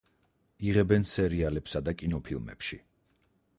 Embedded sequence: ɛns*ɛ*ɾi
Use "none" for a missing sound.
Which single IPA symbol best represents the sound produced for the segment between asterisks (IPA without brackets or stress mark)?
ɛ